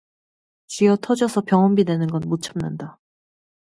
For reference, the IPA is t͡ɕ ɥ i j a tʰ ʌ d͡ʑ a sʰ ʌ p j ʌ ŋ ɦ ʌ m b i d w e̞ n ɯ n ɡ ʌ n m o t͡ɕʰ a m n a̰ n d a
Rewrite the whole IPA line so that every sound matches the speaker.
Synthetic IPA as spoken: t͡ɕ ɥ i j ʌ tʰ ʌ d͡ʑ ʌ sʰ ʌ p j ʌ ŋ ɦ ʌ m b i d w e̞ n ɯ n ɡ ʌ n m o t͡ɕʰ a m n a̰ n d a